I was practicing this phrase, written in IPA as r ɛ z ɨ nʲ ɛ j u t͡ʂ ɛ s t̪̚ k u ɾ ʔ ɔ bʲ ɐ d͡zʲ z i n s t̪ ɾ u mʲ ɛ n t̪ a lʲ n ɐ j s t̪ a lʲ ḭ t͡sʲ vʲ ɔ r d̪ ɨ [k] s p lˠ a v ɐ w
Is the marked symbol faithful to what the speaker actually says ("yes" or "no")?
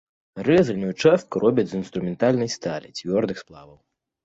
no